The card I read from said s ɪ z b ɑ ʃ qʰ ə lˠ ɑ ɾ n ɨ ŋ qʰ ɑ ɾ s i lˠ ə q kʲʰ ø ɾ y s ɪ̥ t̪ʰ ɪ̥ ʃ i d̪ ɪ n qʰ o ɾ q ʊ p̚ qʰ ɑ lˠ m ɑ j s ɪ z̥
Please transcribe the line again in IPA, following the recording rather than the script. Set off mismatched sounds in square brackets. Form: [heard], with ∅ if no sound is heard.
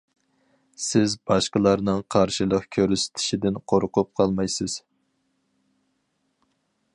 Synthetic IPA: s ɪ z b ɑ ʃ [q] ə lˠ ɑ ɾ n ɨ ŋ qʰ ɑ ɾ [ʃ] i lˠ ə q kʲʰ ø ɾ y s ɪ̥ t̪ʰ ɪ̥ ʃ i d̪ ɪ n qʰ o ɾ q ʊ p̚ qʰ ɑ lˠ m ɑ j s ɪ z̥

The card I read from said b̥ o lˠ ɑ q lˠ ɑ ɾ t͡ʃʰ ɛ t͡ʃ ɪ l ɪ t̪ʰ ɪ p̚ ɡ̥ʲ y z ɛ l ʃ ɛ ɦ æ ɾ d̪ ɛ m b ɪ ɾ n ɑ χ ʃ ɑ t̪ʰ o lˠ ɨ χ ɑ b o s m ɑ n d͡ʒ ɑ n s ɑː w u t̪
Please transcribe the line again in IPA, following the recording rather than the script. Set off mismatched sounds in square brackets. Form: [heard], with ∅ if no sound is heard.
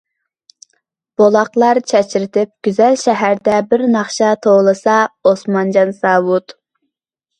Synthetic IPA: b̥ o lˠ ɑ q lˠ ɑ ɾ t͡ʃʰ ɛ t͡ʃ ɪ [ɾ] ɪ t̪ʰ ɪ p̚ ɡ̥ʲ y z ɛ l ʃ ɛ ɦ æ ɾ d̪ ɛ [∅] b ɪ ɾ n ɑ χ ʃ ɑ t̪ʰ o lˠ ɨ [s] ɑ [∅] o s m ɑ n d͡ʒ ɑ n s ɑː w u t̪

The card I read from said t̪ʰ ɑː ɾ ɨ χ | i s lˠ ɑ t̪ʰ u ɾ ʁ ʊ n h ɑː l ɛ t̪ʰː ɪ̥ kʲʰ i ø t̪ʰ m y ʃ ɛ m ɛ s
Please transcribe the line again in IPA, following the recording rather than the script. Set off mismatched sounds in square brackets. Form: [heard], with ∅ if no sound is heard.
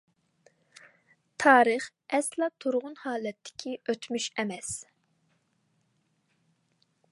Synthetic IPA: t̪ʰ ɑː ɾ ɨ χ | [ɛ] s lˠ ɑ t̪ʰ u ɾ ʁ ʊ n h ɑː l ɛ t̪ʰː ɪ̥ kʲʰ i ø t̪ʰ m y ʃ ɛ m ɛ s

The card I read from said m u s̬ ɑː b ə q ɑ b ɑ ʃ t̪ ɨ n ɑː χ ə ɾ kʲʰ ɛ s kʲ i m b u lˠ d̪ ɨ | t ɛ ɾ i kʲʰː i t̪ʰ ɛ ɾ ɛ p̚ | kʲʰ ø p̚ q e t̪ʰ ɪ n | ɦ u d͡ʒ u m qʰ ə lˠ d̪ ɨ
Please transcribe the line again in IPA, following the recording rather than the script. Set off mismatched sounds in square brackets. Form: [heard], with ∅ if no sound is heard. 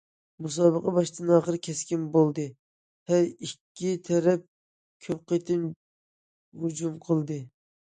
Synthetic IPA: m u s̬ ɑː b ə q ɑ b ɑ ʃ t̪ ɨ n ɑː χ ə ɾ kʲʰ ɛ s kʲ i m b [o] lˠ d̪ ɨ | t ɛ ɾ i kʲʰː i t̪ʰ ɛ ɾ ɛ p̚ | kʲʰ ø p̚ q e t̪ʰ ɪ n | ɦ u d͡ʒ u m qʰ ə lˠ d̪ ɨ

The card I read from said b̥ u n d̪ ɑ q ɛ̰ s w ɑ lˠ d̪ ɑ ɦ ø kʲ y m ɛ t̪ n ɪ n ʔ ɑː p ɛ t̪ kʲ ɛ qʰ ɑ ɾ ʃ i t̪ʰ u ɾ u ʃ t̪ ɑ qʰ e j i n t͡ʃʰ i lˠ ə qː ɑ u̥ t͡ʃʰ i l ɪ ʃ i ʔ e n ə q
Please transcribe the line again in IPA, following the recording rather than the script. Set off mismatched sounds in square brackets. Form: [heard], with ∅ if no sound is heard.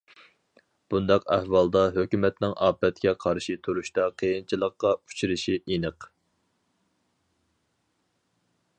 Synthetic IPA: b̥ u n d̪ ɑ q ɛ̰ [h] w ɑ lˠ d̪ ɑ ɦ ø kʲ y m ɛ t̪ n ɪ [ŋ] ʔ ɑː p ɛ t̪ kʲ ɛ qʰ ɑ ɾ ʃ i t̪ʰ u ɾ u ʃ t̪ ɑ qʰ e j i n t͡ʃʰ i lˠ ə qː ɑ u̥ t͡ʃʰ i [ɾ] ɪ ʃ i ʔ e n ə q

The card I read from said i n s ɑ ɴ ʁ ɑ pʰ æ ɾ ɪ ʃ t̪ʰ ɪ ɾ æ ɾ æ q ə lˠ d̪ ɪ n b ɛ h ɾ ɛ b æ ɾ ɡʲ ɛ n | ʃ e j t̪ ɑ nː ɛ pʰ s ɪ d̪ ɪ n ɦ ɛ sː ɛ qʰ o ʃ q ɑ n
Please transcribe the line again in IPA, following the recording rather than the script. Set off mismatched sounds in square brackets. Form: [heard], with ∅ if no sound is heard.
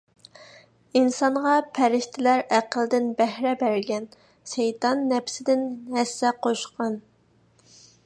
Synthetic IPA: i n s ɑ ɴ ʁ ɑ pʰ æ ɾ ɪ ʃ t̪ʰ ɪ [l] æ ɾ æ q ə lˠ d̪ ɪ n b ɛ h ɾ ɛ b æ ɾ ɡʲ ɛ n | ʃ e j t̪ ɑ nː ɛ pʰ s ɪ d̪ ɪ n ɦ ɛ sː ɛ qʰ o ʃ q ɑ n

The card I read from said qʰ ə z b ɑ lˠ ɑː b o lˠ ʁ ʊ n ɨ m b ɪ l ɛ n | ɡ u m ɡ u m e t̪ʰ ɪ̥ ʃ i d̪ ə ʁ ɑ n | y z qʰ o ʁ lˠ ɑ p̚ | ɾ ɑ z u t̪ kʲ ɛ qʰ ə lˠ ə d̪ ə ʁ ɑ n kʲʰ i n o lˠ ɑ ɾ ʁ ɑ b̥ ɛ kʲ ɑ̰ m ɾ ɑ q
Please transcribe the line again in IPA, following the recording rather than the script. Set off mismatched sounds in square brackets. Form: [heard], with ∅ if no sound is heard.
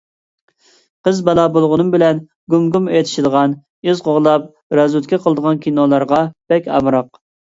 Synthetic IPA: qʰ ə z b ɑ lˠ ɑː b o lˠ ʁ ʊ n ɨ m b ɪ l ɛ n | ɡ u m ɡ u m e t̪ʰ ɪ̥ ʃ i d̪ ə ʁ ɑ n | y z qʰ o ʁ lˠ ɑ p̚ | ɾ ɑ z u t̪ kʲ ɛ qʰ ə lˠ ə d̪ ə ʁ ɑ n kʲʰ i n o lˠ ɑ ɾ ʁ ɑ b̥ ɛ kʲ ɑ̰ m ɾ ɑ q

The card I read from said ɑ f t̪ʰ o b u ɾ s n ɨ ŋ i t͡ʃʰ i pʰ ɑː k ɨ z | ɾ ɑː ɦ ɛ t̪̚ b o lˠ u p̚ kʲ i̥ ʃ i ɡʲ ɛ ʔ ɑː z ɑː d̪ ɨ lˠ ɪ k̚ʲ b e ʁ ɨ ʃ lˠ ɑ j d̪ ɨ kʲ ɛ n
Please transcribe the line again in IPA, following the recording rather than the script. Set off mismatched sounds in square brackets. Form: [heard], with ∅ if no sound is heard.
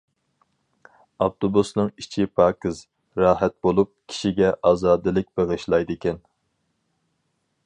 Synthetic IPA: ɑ f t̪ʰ o b u [∅] s n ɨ ŋ i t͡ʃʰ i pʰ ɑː k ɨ z | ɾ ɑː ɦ ɛ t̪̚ b o lˠ u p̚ [kʲʰ] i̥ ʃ i ɡʲ ɛ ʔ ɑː z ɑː d̪ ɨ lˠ ɪ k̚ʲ b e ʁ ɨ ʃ lˠ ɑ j d̪ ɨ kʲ ɛ n

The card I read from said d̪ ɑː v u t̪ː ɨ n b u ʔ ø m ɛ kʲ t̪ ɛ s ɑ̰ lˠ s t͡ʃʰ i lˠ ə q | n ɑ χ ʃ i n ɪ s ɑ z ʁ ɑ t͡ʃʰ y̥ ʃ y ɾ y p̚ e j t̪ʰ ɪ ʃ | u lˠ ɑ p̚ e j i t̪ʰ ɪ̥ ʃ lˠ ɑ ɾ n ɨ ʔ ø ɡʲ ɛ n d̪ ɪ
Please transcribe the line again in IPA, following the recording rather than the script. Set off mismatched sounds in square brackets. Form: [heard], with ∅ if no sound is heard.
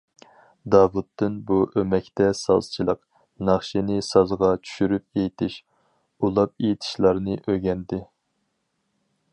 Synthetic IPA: d̪ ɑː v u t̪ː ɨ n b u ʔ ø m ɛ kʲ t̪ ɛ s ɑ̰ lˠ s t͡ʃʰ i lˠ ə q | n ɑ χ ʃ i n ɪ s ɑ z ʁ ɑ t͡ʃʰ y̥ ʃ y ɾ y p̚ e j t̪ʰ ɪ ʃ | u lˠ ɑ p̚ e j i t̪ʰ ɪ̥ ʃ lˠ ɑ ɾ n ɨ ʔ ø ɡʲ ɛ n d̪ ɪ

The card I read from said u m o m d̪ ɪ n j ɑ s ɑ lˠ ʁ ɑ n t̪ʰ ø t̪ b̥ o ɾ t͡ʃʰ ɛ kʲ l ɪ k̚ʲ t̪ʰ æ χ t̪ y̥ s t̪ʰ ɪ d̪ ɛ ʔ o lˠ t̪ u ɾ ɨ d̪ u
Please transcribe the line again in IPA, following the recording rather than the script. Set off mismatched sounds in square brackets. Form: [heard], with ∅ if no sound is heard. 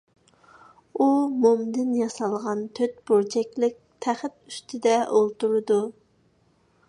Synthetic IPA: u m o m d̪ ɪ n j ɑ s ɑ lˠ ʁ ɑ n t̪ʰ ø t̪ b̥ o ɾ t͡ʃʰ ɛ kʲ l ɪ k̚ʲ t̪ʰ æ χ t̪ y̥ s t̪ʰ ɪ d̪ ɛ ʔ o lˠ t̪ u ɾ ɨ d̪ u

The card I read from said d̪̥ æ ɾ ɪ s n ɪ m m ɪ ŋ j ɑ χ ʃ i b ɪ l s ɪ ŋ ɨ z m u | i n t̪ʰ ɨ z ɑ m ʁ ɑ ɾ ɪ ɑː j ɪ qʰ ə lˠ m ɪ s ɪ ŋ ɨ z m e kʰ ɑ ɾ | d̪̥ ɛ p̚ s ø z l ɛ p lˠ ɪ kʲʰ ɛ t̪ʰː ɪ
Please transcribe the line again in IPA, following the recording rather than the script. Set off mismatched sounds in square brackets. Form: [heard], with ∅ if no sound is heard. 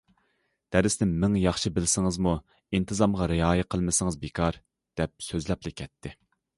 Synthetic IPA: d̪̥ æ ɾ ɪ s n ɪ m m ɪ ŋ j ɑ χ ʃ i b ɪ l s ɪ ŋ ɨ z m u | i n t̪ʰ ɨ z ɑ m ʁ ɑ ɾ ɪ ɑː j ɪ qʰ ə lˠ m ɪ s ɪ ŋ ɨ z [b] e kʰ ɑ ɾ | d̪̥ ɛ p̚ s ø z l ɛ p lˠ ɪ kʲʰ ɛ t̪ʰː ɪ

